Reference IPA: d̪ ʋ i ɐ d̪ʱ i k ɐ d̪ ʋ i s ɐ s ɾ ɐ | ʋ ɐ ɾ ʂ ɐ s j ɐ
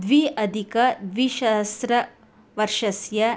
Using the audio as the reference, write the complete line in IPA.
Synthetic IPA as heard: d̪ ʋ i ɐ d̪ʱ i k ɐ d̪ ʋ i ʃ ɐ s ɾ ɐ | ʋ ɐ ɾ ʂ ɐ s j ɐ